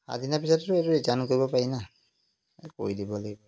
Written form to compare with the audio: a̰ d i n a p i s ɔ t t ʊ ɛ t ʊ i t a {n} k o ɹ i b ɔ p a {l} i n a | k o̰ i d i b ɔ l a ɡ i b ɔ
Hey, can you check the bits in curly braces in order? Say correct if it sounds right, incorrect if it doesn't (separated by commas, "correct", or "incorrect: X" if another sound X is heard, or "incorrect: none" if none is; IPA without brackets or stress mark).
correct, incorrect: ɹ